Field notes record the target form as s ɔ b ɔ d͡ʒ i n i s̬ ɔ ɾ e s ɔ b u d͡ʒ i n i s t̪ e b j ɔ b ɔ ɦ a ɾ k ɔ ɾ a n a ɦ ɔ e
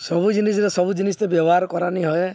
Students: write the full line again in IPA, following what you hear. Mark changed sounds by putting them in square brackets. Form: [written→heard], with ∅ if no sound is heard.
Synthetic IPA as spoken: s ɔ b [ɔ→u] d͡ʒ i n i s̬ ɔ ɾ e s ɔ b u d͡ʒ i n i s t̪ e b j ɔ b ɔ ɦ a ɾ k ɔ ɾ a n [a→i] ɦ ɔ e